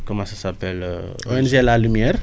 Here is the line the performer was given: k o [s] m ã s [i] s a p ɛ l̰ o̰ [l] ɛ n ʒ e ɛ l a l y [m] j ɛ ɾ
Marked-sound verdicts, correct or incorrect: incorrect: none, incorrect: a, incorrect: none, correct

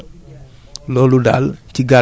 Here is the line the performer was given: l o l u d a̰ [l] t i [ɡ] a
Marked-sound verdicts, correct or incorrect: correct, correct

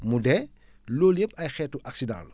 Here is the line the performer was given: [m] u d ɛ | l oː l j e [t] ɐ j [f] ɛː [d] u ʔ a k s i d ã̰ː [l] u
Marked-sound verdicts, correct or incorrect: correct, incorrect: p, incorrect: x, incorrect: t, correct

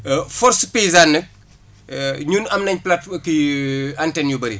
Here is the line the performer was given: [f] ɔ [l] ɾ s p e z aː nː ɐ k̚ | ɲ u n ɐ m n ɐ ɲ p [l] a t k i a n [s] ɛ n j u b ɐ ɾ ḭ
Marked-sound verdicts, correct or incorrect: correct, incorrect: none, correct, incorrect: t

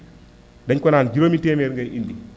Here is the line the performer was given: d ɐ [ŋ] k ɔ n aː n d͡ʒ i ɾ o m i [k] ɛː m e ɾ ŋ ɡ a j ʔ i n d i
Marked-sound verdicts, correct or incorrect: incorrect: ɲ, incorrect: t

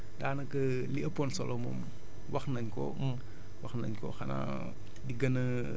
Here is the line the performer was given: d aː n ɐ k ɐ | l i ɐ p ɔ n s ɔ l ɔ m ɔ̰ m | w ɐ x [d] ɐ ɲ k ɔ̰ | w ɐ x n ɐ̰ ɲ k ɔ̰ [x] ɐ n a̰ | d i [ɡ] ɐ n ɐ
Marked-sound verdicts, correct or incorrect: incorrect: n, correct, correct

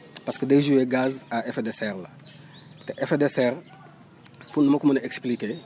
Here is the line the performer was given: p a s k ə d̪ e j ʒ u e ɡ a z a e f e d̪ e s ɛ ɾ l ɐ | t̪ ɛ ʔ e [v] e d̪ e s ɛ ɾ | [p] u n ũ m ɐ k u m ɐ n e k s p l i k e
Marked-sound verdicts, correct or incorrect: incorrect: f, correct

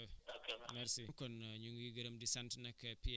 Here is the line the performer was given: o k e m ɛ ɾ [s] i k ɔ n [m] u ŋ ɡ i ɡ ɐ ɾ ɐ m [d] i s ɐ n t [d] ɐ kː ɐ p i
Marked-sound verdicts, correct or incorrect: correct, incorrect: ɲ, correct, incorrect: n

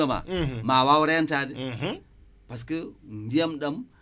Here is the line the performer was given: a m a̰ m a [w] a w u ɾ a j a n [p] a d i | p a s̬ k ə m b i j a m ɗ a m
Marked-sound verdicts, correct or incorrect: correct, incorrect: t

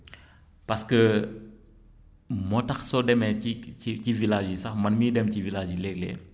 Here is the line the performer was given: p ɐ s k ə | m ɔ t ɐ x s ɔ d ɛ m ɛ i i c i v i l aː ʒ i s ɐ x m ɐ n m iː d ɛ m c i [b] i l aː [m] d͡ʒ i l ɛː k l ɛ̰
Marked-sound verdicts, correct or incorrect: incorrect: v, incorrect: none

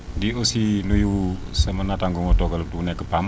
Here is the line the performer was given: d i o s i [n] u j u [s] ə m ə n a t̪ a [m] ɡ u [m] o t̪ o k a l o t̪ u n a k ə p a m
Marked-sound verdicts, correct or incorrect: correct, correct, incorrect: ŋ, incorrect: ŋ

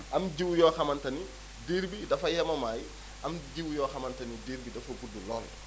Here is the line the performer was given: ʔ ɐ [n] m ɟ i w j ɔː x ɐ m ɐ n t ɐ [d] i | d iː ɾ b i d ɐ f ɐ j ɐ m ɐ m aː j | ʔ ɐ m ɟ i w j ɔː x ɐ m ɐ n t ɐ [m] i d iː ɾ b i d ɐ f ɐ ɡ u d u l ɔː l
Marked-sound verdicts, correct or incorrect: incorrect: none, incorrect: n, incorrect: n

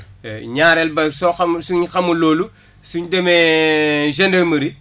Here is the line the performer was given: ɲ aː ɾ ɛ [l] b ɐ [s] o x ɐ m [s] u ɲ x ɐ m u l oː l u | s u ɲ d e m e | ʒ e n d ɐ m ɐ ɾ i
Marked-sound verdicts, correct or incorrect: correct, correct, correct

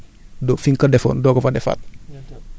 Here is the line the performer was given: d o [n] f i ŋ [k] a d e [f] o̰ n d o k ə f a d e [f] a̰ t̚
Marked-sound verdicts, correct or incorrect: incorrect: none, correct, correct, correct

